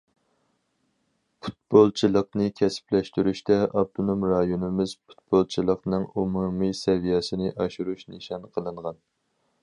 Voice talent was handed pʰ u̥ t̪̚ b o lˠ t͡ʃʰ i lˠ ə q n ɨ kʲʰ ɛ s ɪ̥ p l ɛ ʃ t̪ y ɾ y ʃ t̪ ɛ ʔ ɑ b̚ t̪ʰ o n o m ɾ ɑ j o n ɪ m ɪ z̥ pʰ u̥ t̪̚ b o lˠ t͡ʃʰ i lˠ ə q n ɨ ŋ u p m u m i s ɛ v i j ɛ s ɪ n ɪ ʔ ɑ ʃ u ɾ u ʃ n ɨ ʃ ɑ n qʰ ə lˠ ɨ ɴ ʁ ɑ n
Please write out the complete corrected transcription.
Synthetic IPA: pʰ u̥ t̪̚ b o lˠ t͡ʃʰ i lˠ ə q n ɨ kʲʰ ɛ s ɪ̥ p l ɛ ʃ t̪ y ɾ y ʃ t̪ ɛ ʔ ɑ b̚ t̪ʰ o n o m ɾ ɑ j o n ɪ m ɪ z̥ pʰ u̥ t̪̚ b o lˠ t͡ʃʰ i lˠ ə q n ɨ ŋ u m u m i s ɛ v i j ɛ s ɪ n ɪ ʔ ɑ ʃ u ɾ u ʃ n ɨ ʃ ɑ n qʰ ə lˠ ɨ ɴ ʁ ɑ n